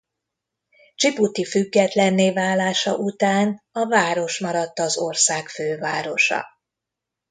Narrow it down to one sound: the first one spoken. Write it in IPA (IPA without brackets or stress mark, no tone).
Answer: t͡ʃ